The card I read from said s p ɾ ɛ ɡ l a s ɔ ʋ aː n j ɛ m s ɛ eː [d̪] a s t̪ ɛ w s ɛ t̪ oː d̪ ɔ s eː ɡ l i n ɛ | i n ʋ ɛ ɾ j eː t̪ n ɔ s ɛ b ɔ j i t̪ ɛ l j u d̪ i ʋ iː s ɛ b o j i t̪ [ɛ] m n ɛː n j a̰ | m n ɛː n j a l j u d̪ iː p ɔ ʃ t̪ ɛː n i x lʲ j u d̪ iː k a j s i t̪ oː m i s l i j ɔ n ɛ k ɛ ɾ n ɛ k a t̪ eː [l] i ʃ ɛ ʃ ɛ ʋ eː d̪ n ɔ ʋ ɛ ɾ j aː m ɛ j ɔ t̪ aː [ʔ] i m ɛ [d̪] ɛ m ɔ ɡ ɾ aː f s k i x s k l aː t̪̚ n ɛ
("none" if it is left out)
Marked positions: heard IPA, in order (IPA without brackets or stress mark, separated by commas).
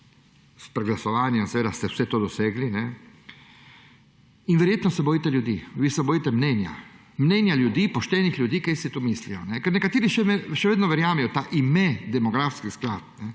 d̪, ɛ, ɾ, ʔ, d̪